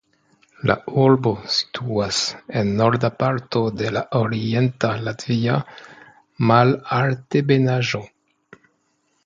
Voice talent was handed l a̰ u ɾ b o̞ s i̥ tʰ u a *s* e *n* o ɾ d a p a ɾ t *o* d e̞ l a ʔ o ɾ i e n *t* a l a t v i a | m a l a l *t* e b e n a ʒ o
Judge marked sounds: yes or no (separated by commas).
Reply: yes, no, yes, yes, yes